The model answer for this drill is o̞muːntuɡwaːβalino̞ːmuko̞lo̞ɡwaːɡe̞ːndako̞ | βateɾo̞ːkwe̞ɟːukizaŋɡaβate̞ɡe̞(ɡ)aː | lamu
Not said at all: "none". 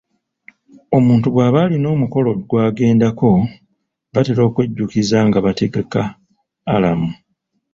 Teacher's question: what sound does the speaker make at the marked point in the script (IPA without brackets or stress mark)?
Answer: k